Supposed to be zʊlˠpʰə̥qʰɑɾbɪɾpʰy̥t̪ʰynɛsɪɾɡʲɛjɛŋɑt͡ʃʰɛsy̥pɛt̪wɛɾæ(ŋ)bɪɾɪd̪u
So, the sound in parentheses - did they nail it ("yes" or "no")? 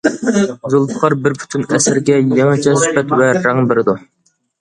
yes